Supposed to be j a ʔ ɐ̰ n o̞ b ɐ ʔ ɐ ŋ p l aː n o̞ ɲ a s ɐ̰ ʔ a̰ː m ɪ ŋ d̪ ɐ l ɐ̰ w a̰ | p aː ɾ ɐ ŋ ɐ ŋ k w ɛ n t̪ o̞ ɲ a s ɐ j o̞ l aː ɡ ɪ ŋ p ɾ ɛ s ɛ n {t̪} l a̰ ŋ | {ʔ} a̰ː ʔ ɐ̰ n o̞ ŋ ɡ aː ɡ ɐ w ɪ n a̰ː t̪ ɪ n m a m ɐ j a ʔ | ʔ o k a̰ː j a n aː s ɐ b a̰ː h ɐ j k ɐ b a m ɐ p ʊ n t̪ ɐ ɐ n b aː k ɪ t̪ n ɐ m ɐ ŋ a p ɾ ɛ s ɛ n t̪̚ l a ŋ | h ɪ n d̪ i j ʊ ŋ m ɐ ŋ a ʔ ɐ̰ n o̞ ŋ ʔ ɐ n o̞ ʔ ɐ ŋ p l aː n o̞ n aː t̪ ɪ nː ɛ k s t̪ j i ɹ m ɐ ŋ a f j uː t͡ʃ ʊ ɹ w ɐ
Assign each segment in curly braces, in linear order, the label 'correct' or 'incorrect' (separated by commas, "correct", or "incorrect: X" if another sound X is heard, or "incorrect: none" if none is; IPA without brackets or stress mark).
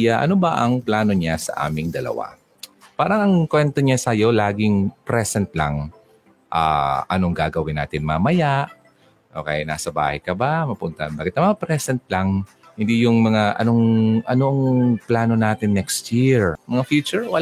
correct, correct